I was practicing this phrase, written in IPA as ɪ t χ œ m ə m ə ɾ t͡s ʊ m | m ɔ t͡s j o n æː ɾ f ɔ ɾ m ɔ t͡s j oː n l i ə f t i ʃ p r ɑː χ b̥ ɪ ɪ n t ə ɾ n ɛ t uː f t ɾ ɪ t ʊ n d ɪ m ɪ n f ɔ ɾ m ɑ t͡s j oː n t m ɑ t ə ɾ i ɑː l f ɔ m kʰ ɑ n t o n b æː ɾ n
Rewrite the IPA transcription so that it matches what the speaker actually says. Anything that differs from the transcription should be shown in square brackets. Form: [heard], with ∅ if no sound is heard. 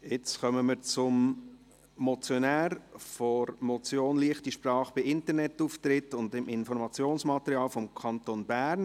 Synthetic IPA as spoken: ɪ [t͡s] χ œ m ə m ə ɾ t͡s ʊ m | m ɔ t͡s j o n æː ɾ f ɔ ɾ m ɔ t͡s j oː n l i ə [χ] t i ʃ p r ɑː χ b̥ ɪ ɪ n t ə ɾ n ɛ t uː f t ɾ ɪ t ʊ n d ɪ m ɪ n f ɔ ɾ m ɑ t͡s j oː n [s] m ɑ t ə ɾ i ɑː l f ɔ m kʰ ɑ n t o n b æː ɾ n